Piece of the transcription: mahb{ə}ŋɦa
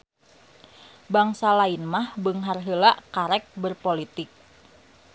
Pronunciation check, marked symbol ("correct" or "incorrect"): correct